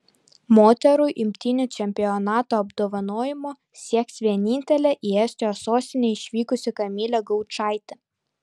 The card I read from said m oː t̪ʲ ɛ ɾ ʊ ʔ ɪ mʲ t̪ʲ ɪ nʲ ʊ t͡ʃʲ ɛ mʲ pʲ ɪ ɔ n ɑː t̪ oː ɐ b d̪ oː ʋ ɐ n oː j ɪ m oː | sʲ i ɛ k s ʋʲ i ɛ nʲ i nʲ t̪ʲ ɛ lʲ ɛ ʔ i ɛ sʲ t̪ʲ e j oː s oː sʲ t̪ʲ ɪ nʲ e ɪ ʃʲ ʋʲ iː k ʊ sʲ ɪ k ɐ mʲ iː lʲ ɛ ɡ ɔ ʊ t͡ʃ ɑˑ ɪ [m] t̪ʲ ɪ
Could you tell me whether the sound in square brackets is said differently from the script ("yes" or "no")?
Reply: yes